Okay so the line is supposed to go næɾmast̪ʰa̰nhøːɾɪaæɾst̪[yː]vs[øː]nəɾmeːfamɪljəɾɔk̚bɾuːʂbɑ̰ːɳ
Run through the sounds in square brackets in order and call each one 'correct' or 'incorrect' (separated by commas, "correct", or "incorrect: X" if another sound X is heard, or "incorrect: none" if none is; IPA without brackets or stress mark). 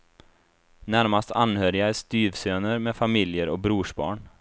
correct, correct